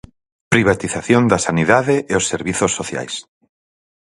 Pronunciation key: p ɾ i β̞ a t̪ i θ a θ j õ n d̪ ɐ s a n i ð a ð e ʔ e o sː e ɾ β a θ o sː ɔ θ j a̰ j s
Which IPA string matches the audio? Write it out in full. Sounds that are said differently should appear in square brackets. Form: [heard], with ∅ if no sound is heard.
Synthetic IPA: p ɾ i β̞ a t̪ i θ a θ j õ n d̪ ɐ s a n i ð a ð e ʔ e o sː e ɾ β [i] θ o sː [o] θ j a̰ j s